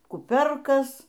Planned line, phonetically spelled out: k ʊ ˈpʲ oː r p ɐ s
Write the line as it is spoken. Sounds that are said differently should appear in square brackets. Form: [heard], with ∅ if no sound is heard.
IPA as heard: k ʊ ˈpʲ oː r [k] ɐ s